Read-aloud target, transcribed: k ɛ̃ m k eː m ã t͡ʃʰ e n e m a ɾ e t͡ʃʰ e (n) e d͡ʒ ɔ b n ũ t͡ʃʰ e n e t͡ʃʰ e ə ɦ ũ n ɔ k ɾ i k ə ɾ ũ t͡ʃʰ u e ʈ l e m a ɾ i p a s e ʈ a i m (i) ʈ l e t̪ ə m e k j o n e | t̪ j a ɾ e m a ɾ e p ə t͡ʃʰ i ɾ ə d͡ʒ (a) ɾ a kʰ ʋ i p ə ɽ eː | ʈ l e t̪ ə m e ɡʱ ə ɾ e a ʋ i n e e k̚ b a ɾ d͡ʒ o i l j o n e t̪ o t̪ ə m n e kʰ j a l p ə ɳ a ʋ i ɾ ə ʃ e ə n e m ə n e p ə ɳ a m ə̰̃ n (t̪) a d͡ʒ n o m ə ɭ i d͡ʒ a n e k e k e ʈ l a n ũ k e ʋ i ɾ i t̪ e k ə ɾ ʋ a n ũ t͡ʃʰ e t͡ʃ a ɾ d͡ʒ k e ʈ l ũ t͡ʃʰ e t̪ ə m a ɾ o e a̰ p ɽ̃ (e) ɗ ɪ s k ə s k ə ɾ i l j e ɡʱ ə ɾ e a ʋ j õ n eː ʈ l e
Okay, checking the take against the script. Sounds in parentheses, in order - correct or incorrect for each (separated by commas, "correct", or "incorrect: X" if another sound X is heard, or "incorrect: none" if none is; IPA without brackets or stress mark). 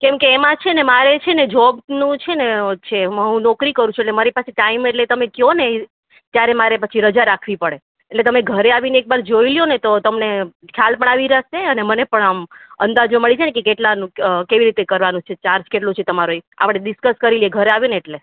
correct, incorrect: e, correct, incorrect: d̪, correct